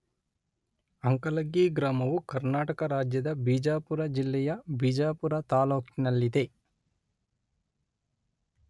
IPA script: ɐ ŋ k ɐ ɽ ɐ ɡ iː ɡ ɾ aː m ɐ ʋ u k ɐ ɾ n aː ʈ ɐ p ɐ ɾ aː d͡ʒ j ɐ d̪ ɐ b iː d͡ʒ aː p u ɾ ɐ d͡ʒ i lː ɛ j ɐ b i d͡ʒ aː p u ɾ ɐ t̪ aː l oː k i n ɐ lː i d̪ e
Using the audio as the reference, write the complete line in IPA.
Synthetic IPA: ɐ ŋ k ɐ l ɐ ɡ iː ɡ ɾ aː m ɐ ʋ u k ɐ ɾ n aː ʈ ɐ k ɐ ɾ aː d͡ʒ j ɐ d̪ ɐ b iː d͡ʒ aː p u ɾ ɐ d͡ʒ i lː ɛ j ɐ b i d͡ʒ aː p u ɾ ɐ t̪ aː l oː k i n ɐ lː i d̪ e